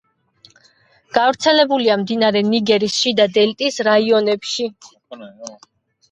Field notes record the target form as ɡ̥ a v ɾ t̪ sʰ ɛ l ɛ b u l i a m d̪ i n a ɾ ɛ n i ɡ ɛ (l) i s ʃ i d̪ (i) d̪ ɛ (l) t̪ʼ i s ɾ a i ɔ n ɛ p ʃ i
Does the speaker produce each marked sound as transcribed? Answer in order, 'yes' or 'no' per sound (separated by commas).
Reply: no, no, yes